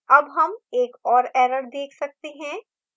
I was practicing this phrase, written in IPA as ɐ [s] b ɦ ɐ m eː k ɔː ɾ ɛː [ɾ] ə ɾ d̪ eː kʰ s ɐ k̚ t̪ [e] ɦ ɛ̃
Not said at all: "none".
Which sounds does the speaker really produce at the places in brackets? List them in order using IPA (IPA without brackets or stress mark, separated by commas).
none, ɾ, e